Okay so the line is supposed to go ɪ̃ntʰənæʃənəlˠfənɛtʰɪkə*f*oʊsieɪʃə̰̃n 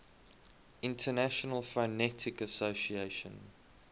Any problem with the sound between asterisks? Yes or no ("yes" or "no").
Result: yes